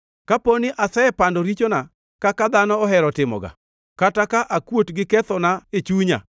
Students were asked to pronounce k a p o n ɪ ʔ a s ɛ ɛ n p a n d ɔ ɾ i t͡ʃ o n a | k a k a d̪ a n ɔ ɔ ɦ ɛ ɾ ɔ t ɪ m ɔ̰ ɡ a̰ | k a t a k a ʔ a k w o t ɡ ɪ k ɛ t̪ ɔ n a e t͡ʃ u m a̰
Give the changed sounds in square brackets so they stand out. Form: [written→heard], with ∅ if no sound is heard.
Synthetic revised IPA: k a p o n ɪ ʔ a s ɛ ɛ [n→∅] p a n d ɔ ɾ i t͡ʃ o n a | k a k a d̪ a n ɔ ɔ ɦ ɛ ɾ ɔ t ɪ m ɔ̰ ɡ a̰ | k a t a k a ʔ a k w o t ɡ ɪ k ɛ t̪ ɔ n a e t͡ʃ u [m→ɲ] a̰